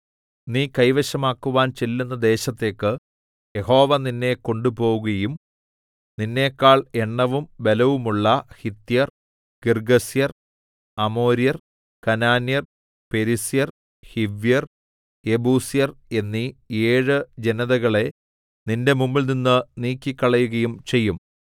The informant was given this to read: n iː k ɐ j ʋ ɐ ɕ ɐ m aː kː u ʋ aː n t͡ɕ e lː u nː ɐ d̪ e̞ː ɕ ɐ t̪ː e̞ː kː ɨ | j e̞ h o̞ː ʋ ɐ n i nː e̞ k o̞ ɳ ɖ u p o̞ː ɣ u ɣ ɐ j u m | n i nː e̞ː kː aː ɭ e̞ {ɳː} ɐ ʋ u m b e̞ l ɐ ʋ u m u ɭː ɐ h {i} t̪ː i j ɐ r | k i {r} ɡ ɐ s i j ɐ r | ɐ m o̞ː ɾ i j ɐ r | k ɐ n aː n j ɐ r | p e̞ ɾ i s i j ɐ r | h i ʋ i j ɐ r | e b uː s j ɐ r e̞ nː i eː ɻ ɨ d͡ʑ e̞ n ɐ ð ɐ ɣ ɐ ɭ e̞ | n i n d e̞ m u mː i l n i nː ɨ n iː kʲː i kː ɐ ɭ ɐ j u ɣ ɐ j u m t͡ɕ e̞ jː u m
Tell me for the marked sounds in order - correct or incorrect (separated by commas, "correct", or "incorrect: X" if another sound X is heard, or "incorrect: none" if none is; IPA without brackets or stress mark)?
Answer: correct, correct, correct